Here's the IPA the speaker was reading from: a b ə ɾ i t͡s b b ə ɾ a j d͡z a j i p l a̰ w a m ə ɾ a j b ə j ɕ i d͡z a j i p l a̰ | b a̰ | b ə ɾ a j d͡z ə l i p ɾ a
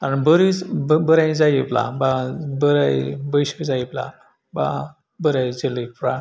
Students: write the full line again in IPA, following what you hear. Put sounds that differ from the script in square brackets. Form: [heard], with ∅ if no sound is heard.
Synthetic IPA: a b ə ɾ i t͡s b b ə ɾ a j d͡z a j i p l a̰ [b] a [b] ə ɾ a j b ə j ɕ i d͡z a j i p l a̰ | b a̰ | b ə ɾ a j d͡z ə l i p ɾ a